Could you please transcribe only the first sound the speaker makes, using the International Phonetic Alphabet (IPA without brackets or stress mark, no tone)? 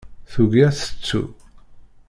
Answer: θ